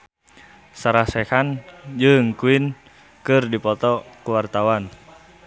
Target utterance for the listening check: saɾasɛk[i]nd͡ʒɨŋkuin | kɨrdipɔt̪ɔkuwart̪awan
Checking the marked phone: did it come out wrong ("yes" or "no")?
yes